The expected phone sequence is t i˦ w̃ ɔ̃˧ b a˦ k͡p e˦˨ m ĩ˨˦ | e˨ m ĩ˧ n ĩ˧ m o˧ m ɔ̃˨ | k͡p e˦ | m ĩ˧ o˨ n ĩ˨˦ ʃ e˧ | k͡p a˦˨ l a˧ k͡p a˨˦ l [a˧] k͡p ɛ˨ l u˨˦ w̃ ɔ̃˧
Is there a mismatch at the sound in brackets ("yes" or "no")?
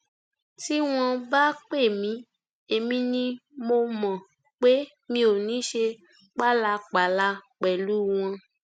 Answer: no